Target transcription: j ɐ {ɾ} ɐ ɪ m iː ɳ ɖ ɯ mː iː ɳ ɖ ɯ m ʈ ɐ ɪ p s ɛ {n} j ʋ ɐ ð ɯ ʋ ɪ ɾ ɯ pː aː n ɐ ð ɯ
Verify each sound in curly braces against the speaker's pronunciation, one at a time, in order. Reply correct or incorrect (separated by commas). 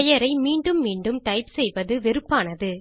correct, incorrect